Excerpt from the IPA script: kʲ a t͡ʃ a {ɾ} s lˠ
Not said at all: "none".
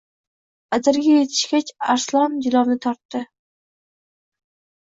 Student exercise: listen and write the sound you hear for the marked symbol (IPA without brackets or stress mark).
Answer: ɾ